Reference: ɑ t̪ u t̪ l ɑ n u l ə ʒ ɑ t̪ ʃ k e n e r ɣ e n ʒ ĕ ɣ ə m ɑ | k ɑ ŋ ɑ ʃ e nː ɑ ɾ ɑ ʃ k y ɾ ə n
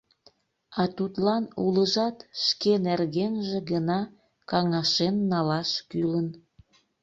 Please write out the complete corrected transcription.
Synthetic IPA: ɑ t̪ u t̪ l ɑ n u l ə ʒ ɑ t̪ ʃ k e n e r ɣ e n ʒ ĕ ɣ ə n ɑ | k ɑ ŋ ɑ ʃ e nː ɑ l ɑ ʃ k y l ə n